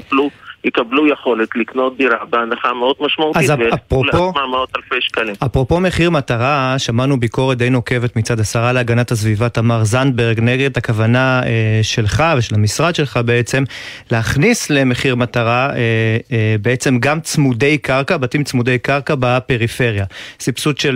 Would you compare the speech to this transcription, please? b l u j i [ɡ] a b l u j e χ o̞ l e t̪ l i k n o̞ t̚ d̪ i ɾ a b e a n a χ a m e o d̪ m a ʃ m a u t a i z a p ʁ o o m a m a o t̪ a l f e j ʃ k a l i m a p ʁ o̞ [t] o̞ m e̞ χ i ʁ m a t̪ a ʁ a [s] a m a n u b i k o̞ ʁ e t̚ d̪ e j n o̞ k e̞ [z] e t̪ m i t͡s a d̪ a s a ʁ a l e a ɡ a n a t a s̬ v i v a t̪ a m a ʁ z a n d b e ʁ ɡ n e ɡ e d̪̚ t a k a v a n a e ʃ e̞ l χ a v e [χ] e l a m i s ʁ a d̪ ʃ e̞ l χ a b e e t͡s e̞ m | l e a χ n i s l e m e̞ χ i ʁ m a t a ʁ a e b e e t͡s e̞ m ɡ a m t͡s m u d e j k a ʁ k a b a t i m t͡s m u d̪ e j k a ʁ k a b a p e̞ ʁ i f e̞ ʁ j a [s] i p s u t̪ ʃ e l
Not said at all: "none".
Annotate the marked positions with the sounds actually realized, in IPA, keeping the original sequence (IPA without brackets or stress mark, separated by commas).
k, p, ʃ, v, ʃ, s